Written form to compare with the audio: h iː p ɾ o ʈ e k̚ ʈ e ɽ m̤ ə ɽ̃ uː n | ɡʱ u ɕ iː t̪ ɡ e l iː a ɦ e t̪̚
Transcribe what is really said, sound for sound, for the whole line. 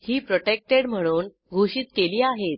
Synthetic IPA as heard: h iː p ɾ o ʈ e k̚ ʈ e ɽ m̤ ə ɽ̃ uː n | ɡʱ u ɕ iː t̪ k e l iː a ɦ e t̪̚